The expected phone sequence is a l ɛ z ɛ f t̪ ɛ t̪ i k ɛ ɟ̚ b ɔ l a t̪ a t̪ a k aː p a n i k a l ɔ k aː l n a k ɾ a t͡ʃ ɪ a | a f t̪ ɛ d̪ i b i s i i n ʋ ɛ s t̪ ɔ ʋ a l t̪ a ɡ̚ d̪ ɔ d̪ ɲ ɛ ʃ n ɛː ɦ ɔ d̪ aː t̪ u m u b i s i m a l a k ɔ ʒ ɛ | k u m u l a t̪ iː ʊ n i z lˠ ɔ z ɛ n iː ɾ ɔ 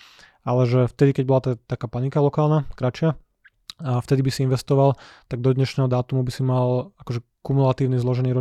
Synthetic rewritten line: a l ɛ ʒ ɛ f t̪ ɛ d̪ i k ɛ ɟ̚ b ɔ l a t̪ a t̪ a k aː p a n i k a l ɔ k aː l n a k ɾ a t͡ʃ ɪ a | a f t̪ ɛ d̪ i b i s i i n ʋ ɛ s t̪ ɔ ʋ a l t̪ a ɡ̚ d̪ ɔ d̪ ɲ ɛ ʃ n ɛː ɦ ɔ d̪ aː t̪ u m u b i s i m a l a k ɔ ʒ ɛ | k u m u l a t̪ iː ʊ n i z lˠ ɔ ʒ ɛ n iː ɾ ɔ